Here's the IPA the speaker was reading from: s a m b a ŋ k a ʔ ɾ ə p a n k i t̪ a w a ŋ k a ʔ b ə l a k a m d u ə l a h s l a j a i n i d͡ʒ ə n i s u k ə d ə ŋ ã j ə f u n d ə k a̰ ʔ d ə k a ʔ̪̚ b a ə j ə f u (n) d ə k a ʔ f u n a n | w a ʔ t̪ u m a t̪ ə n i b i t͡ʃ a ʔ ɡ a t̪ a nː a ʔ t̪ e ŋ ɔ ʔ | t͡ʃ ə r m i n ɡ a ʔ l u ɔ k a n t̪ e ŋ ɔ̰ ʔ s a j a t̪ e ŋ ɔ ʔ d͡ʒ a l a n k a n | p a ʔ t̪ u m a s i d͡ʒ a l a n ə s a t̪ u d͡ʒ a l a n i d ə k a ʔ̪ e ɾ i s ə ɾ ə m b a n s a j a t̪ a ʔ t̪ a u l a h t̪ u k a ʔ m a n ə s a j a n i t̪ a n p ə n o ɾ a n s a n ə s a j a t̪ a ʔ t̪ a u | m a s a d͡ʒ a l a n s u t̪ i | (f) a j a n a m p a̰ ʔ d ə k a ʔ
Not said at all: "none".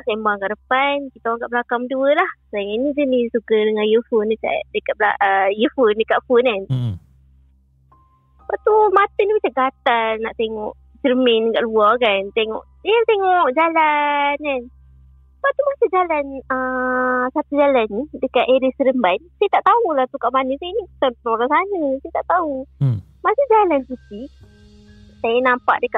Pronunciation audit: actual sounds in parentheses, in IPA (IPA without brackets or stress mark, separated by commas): n, s